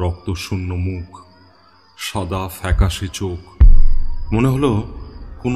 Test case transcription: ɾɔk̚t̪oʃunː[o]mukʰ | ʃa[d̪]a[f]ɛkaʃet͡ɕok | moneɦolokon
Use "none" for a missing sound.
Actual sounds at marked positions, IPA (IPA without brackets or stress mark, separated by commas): o, d̪, f